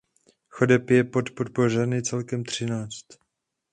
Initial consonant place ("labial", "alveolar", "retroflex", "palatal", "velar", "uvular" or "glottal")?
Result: velar